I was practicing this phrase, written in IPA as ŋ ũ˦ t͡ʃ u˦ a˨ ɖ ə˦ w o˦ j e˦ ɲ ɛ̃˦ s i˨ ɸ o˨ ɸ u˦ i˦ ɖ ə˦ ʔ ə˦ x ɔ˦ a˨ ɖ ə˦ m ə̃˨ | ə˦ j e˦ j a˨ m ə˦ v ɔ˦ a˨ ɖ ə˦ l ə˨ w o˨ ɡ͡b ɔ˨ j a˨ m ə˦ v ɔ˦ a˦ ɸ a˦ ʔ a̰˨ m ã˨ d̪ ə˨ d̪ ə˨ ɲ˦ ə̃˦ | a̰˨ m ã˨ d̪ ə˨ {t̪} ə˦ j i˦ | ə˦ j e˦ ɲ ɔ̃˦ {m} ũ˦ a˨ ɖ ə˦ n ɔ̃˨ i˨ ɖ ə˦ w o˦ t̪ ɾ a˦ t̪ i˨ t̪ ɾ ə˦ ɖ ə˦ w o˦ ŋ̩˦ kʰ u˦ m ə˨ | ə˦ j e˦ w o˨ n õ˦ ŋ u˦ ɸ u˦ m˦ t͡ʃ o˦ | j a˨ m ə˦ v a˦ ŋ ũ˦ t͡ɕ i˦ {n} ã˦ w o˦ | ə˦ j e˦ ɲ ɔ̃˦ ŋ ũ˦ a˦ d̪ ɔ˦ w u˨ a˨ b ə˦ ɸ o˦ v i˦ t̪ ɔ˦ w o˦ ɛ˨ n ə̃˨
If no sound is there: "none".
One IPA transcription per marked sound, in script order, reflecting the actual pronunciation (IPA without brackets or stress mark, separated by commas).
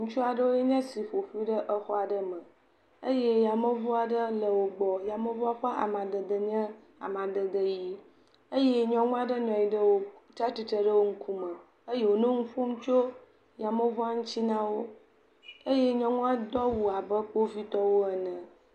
d̪, ŋ, n